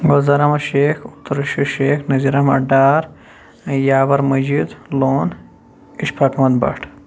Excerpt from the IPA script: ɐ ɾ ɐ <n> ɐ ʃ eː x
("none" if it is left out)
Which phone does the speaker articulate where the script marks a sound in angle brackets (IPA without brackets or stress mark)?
m